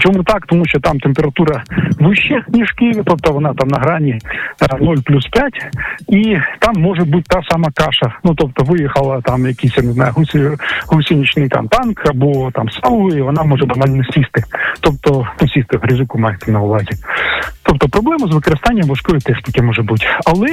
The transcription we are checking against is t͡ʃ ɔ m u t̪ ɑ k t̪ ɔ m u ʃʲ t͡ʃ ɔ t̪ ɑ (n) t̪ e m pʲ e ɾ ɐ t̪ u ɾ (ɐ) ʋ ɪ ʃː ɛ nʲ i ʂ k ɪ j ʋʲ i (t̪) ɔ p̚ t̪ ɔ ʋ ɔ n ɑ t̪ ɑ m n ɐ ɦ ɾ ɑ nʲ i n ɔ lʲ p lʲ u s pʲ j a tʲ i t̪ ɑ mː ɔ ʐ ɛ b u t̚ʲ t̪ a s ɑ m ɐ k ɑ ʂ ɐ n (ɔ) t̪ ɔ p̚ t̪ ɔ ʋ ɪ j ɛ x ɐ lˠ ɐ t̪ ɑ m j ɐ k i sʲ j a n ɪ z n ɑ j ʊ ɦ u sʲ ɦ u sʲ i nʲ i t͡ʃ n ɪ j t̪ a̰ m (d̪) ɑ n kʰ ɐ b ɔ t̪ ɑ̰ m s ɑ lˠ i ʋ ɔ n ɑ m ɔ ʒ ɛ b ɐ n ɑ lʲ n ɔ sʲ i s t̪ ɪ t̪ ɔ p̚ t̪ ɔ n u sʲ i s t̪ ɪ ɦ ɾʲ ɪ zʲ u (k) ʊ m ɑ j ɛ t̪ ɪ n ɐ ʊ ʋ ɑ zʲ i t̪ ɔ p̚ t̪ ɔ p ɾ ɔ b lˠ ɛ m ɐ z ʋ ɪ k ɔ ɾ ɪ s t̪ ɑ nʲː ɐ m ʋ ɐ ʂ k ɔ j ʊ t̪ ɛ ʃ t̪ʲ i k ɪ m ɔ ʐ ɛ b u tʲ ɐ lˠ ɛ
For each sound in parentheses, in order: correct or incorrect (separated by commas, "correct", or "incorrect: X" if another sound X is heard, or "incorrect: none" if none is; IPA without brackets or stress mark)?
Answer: incorrect: m, correct, correct, incorrect: u, incorrect: t̪, correct